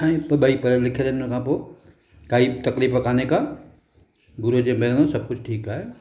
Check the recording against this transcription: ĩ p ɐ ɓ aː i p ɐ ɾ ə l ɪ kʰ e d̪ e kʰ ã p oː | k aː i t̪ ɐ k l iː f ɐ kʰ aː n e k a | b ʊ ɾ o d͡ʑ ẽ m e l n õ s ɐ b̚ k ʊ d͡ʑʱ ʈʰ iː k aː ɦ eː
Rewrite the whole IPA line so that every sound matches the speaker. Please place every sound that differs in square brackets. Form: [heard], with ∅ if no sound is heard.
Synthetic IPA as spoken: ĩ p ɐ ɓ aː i p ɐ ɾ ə l ɪ kʰ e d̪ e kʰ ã p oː | k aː i t̪ ɐ k l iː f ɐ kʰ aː n e k a | b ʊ ɾ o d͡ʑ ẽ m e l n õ s ɐ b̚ k ʊ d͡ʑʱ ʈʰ iː k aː ɦ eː